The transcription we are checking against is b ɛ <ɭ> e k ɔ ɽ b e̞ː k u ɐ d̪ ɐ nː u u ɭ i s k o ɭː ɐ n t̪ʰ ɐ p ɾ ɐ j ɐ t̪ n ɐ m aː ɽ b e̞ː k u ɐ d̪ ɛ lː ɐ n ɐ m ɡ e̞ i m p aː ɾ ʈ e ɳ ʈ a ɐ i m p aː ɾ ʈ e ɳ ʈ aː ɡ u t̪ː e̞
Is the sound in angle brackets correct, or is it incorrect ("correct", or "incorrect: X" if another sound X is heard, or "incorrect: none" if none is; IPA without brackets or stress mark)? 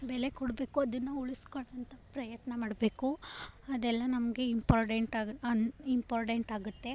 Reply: incorrect: l